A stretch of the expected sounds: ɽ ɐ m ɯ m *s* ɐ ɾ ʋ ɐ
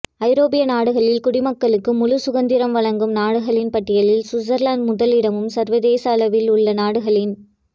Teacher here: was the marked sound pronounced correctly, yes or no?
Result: yes